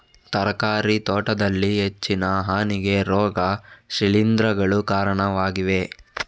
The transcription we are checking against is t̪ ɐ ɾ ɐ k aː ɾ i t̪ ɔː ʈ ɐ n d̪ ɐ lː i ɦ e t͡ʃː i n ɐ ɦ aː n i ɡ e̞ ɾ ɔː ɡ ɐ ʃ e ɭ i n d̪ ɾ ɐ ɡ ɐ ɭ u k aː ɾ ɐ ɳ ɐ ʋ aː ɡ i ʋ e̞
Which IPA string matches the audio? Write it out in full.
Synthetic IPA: t̪ ɐ ɾ ɐ k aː ɾ i t̪ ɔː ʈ ɐ d̪ ɐ lː i ɦ e t͡ʃː i n ɐ ɦ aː n i ɡ e̞ ɾ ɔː ɡ ɐ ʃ i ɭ i n d̪ ɾ ɐ ɡ ɐ ɭ u k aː ɾ ɐ ɳ ɐ ʋ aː ɡ i ʋ e̞